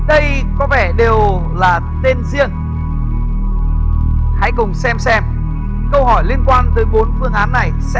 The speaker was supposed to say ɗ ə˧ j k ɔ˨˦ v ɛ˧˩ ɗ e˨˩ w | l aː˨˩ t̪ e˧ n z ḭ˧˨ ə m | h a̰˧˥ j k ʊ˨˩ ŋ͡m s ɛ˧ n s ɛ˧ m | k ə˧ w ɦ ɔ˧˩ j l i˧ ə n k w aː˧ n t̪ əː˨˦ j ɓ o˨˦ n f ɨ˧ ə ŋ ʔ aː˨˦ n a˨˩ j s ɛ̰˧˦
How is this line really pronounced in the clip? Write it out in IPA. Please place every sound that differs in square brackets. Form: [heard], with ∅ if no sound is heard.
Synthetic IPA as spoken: ɗ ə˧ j k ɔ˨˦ v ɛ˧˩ ɗ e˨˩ w | l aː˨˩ t̪ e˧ n z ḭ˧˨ ə [ŋ] | h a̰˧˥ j k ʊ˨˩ ŋ͡m s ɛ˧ [m] s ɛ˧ m | k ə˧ w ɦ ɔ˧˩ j l i˧ ə n k w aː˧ n t̪ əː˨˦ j ɓ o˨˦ n f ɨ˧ ə ŋ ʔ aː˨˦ [nː] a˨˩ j s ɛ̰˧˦